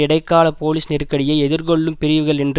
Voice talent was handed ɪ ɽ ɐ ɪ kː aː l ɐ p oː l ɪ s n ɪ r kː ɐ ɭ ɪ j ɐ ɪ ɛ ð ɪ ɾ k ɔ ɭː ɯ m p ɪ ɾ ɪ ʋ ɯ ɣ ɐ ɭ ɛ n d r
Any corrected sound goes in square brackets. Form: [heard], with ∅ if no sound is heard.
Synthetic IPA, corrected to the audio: ɪ ɽ ɐ ɪ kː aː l ɐ p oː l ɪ s n ɪ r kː ɐ [ɽ] ɪ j ɐ ɪ ɛ ð ɪ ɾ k ɔ ɭː ɯ m p ɪ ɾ ɪ ʋ ɯ ɣ ɐ ɭ ɛ n d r